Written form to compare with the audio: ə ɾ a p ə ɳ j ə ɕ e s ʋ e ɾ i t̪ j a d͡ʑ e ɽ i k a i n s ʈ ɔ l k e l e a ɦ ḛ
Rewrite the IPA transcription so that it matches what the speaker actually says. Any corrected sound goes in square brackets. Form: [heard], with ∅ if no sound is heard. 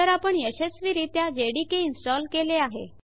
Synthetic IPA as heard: ə ɾ a p ə ɳ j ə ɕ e s ʋ [i] ɾ i t̪ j a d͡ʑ e ɽ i k [e] i n s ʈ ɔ l k e l e a ɦ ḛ